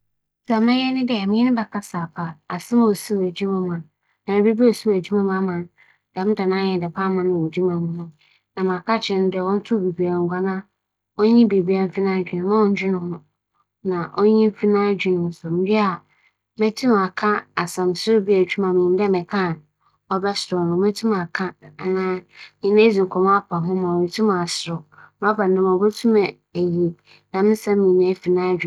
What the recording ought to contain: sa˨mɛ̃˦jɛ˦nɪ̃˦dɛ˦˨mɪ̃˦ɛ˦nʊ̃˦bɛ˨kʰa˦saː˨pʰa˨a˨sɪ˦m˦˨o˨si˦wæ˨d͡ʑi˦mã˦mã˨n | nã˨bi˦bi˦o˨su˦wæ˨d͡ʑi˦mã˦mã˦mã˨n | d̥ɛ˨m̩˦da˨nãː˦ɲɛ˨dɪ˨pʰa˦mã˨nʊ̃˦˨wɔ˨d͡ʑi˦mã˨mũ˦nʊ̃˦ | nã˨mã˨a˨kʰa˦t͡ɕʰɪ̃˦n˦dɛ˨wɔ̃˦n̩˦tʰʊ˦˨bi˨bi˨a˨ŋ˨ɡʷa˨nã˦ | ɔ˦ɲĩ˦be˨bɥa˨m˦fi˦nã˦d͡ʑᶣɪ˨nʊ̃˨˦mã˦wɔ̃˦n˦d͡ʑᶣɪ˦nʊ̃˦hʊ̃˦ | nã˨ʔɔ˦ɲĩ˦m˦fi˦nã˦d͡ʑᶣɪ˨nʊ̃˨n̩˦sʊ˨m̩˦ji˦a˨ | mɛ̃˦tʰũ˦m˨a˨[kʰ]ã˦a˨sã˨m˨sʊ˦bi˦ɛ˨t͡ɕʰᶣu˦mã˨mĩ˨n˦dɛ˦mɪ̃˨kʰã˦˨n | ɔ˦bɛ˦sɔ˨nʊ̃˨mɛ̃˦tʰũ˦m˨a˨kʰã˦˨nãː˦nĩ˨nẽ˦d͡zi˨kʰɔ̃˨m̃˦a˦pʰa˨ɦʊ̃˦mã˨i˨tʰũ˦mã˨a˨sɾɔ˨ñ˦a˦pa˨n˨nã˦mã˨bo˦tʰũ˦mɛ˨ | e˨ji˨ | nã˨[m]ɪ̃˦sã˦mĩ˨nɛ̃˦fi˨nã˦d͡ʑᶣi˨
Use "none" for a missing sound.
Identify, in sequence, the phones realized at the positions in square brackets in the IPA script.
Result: kʰ, m

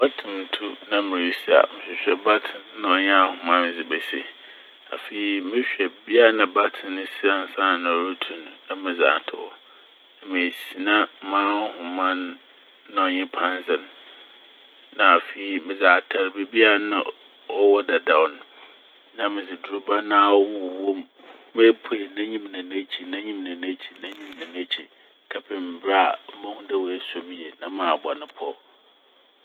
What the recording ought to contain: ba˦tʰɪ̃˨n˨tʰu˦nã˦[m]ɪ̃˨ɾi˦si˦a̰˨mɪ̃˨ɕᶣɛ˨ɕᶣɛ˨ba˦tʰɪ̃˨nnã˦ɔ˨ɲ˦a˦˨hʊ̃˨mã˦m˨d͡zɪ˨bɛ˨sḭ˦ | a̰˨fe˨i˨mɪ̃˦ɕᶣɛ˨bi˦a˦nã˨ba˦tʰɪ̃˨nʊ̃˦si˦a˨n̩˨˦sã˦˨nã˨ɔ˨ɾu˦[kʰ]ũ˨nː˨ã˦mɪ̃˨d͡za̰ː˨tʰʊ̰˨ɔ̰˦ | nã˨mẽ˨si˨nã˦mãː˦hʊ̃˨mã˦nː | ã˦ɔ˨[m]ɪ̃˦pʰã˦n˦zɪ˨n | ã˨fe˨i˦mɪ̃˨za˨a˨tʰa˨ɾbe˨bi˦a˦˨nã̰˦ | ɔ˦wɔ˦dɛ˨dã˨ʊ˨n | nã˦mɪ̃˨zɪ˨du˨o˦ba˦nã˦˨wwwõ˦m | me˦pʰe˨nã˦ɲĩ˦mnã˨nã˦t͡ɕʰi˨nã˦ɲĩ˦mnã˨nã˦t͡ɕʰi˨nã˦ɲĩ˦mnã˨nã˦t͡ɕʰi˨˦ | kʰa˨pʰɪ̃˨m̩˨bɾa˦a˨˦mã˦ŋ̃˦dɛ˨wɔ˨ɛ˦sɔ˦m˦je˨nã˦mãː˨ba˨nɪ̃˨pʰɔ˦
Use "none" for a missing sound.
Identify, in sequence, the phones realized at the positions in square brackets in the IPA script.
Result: m, tʰ, ɲ

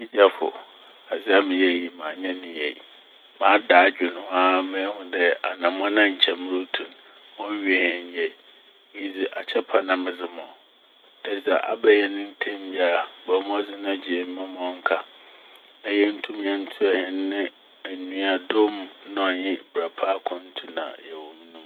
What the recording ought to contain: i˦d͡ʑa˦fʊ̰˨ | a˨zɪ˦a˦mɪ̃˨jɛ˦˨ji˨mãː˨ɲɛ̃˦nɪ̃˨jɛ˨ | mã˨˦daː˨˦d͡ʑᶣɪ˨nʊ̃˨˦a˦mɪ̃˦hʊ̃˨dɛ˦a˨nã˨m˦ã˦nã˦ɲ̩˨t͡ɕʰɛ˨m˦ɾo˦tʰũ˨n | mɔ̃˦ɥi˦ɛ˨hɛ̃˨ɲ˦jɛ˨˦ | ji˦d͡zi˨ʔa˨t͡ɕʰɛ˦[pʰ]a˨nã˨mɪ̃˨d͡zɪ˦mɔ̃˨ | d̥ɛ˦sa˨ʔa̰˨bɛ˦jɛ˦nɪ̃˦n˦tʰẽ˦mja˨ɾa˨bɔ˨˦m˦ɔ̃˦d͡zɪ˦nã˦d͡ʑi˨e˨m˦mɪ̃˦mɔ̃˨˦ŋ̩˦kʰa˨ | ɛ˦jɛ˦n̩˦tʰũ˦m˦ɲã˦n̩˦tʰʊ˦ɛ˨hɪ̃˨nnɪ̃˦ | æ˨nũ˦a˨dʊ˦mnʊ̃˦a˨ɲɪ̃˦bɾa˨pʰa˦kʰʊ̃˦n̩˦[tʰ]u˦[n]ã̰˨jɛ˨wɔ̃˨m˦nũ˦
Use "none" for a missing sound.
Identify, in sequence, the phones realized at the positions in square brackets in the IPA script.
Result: pʰ, tʰ, n

